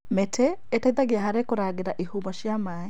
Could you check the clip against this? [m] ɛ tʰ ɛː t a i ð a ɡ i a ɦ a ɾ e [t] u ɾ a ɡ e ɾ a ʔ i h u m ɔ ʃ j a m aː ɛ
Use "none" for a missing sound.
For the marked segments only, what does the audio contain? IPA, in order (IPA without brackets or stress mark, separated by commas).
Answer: m, k